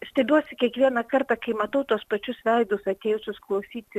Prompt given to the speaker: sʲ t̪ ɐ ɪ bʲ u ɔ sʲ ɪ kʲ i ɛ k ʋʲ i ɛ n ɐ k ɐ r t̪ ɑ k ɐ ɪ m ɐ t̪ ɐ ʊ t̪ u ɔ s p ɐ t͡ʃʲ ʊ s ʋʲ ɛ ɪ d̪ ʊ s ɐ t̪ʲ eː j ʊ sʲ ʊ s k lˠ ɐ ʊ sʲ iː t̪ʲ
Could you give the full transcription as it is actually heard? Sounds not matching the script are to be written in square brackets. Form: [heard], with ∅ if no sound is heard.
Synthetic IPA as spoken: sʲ t̪ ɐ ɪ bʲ u ɔ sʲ ɪ kʲ i ɛ k ʋʲ i ɛ n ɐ k ɐ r t̪ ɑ k ɐ ɪ m ɐ t̪ ɐ ʊ t̪ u ɔ s p ɐ t͡ʃʲ ʊ s ʋʲ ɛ ɪ d̪ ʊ s ɐ t̪ʲ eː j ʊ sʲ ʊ s k lˠ ɐ ʊ sʲ iː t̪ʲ